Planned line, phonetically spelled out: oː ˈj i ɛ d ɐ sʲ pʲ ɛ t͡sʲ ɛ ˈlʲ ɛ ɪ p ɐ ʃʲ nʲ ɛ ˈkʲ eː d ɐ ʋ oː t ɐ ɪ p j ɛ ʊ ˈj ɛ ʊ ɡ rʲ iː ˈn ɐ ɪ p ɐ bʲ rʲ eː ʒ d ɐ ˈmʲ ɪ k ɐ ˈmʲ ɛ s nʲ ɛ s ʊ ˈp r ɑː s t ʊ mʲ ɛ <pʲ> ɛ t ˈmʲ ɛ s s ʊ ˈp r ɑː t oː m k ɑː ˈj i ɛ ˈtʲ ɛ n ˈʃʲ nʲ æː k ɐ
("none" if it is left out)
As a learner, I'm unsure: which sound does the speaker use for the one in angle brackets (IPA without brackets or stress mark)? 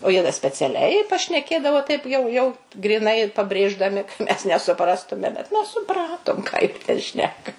bʲ